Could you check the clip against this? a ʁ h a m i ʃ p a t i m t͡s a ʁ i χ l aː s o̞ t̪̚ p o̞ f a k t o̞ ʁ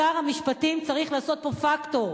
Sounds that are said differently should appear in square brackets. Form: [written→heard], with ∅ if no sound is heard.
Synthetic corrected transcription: a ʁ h a m i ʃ p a t i m t͡s a ʁ i χ l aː s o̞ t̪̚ p o̞ f a k t o̞ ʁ